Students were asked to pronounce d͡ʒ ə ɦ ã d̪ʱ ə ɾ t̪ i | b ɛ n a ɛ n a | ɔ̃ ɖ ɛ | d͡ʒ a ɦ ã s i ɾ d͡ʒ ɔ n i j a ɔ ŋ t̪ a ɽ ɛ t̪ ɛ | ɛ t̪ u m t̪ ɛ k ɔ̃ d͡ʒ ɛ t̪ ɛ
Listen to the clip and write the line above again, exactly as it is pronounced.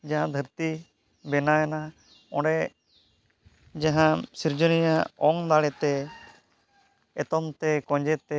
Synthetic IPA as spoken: d͡ʒ a ɦ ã d̪ʱ ə ɾ t̪ i | b ɛ n a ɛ n a | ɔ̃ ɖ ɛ | d͡ʒ a ɦ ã s i ɾ d͡ʒ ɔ n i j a ɔ ŋ d̪ a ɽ ɛ t̪ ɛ | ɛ t̪ ɔ m t̪ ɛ k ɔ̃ d͡ʒ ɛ t̪ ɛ